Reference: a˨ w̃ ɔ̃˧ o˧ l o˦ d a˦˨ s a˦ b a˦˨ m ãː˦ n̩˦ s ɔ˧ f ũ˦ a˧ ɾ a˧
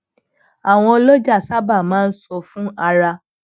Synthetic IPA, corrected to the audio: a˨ w̃ ɔ̃˧ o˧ l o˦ d͡ʒ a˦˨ s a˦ b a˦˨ m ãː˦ n̩˦ s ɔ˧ f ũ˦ a˧ ɾ a˧